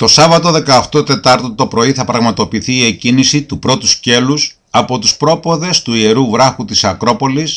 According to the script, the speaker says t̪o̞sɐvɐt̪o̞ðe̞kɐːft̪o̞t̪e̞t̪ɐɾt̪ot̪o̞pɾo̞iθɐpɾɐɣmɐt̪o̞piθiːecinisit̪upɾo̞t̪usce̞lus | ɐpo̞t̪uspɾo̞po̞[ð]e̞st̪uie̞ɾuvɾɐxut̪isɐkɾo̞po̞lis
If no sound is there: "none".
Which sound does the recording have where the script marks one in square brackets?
ð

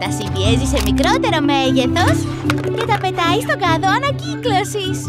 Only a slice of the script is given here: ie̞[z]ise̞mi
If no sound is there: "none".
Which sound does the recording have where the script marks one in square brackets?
z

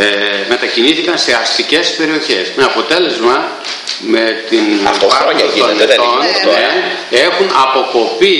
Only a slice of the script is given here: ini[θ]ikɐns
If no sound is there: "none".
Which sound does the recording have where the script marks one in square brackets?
θ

